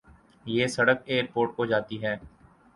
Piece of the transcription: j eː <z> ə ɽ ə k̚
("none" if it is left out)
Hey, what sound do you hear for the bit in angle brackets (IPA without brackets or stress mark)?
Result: s